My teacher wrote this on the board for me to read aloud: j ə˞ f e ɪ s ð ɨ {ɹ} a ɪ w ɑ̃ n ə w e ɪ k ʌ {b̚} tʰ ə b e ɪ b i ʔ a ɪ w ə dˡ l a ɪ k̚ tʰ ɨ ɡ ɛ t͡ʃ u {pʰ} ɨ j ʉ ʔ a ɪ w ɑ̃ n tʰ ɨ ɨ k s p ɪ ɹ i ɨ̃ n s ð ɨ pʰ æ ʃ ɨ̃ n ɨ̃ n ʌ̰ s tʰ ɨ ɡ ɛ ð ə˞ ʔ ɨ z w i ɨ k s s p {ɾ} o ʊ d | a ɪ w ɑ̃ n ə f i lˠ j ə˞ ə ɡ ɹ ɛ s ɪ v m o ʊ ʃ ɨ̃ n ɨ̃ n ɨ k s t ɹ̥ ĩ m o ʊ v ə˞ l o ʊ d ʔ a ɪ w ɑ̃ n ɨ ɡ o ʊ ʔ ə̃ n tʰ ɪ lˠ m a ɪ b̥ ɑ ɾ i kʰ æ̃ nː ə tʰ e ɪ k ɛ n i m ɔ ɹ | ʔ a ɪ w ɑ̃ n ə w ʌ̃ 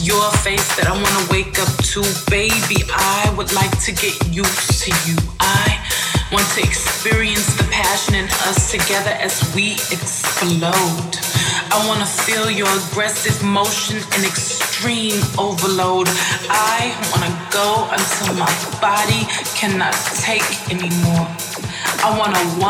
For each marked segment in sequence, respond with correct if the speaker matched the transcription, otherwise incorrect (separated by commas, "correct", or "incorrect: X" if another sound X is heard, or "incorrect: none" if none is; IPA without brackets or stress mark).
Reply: incorrect: ɾ, incorrect: p̚, incorrect: tʰ, incorrect: l